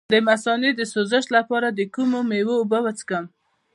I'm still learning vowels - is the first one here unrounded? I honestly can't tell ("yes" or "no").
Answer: yes